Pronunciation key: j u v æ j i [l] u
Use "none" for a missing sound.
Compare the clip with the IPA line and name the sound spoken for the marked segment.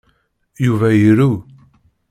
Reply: ɾ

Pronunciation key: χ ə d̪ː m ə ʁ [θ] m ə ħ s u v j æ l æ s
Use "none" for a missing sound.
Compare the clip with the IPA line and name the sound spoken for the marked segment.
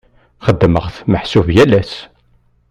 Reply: θ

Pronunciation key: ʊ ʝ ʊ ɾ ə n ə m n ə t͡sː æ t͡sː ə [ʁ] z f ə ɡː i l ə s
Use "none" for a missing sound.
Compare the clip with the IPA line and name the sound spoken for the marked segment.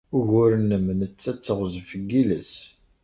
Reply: ʁ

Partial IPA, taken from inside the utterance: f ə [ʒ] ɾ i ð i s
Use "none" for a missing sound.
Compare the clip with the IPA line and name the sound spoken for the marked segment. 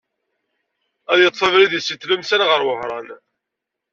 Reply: v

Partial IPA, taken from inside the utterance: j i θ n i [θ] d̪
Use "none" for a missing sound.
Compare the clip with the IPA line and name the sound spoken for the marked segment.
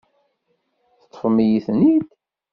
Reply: none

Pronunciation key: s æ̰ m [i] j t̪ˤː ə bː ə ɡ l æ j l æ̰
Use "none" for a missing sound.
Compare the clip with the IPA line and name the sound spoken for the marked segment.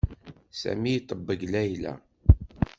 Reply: i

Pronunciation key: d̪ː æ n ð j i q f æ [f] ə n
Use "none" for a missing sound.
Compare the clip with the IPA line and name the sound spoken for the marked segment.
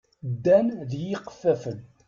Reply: f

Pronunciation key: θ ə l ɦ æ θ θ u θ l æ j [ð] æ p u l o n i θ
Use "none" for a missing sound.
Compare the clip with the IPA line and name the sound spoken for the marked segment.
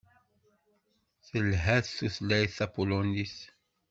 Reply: θ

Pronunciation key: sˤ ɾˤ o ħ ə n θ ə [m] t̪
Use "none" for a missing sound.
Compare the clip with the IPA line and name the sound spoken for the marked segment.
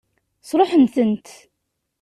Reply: n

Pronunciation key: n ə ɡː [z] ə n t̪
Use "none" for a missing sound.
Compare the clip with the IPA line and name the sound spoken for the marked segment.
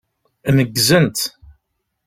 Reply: z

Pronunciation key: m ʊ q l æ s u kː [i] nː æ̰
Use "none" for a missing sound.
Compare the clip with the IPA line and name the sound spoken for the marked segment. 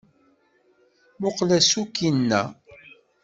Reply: i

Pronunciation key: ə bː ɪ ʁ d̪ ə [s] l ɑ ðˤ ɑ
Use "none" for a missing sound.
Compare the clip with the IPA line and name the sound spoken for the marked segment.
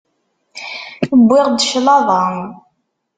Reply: ʃ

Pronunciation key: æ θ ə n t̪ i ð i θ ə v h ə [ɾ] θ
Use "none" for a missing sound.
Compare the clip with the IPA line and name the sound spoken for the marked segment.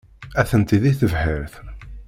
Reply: ɾ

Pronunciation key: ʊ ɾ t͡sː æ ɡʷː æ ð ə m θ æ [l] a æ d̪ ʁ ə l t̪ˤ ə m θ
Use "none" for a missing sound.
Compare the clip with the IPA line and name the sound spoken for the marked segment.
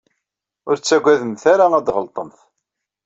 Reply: ɾ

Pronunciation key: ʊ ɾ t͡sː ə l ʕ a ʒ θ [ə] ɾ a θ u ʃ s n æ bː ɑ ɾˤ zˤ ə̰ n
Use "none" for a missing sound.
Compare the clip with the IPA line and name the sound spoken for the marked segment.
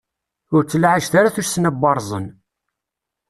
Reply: a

